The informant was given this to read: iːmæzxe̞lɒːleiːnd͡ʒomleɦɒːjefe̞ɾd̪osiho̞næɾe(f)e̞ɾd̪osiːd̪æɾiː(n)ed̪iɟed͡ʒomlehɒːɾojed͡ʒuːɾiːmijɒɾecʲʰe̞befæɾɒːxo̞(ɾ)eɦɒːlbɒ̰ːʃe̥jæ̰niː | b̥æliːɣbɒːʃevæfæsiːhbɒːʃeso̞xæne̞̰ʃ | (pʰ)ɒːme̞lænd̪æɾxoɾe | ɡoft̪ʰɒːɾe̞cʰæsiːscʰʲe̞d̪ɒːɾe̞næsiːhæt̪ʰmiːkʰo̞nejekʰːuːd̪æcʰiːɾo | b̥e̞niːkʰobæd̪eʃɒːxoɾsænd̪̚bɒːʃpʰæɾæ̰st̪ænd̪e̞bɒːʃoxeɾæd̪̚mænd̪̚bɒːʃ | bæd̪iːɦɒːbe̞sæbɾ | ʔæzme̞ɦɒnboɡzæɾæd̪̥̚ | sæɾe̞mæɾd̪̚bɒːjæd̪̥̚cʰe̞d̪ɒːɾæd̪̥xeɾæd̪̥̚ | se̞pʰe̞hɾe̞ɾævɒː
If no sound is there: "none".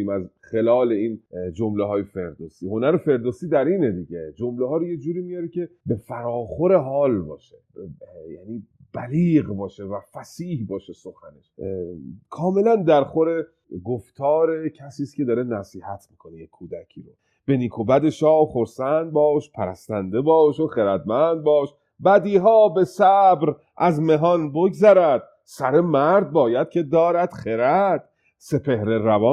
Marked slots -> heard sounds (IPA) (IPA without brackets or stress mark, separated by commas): f, n, ɾ, kʰ